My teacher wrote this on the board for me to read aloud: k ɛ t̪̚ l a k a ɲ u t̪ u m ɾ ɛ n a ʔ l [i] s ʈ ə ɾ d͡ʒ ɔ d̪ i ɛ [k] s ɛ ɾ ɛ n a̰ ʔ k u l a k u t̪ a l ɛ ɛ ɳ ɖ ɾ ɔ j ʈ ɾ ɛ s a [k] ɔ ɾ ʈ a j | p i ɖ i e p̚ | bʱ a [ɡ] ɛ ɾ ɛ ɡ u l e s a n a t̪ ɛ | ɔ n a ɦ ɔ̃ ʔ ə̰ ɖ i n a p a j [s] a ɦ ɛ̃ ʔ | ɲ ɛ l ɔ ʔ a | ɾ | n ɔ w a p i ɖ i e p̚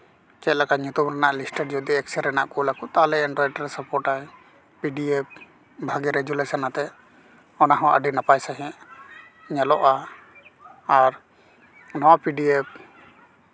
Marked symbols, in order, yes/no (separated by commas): yes, yes, no, yes, yes